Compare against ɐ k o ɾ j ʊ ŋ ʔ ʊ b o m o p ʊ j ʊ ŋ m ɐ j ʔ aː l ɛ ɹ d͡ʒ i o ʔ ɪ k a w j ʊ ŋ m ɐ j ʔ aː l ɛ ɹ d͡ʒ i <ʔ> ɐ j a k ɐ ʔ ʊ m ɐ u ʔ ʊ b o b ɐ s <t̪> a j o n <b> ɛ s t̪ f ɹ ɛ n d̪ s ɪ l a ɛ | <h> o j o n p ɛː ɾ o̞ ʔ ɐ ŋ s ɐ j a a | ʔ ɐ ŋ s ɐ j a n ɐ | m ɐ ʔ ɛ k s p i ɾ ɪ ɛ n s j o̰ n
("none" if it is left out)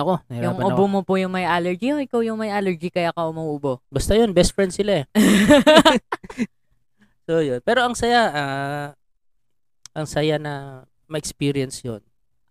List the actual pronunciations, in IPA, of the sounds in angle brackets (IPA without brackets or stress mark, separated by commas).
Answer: k, t̪, b, s